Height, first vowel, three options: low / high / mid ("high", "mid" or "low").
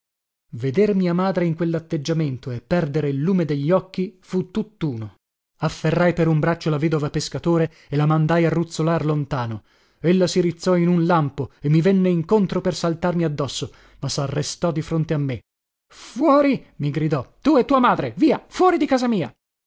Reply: mid